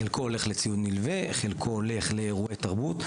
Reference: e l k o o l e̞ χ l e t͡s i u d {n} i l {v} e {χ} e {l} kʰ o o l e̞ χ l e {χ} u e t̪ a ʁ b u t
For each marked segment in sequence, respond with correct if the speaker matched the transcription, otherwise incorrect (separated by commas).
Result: correct, correct, correct, correct, incorrect